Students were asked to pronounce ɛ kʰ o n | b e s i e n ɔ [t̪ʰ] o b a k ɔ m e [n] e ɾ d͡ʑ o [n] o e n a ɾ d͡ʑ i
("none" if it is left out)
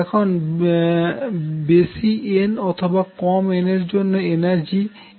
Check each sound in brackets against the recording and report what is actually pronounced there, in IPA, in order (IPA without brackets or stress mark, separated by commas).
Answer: t̪ʰ, n, nː